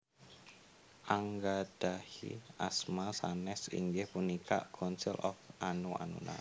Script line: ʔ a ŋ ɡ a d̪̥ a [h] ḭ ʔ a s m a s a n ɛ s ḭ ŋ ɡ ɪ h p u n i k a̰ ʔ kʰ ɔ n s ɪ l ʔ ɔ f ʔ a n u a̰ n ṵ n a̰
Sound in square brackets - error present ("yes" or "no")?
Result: no